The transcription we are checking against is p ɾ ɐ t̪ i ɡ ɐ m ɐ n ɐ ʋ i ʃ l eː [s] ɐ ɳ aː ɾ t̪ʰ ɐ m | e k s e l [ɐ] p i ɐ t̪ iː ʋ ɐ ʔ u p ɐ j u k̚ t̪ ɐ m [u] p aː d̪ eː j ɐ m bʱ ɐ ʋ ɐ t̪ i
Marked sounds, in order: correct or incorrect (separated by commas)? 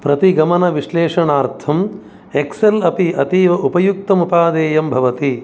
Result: incorrect, correct, correct